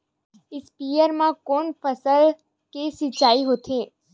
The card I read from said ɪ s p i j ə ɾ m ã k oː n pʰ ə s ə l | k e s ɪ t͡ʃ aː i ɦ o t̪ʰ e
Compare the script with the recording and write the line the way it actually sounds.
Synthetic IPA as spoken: ɪ s p i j ə ɾ m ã k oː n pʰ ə s ə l | k e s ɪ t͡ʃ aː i ɦ o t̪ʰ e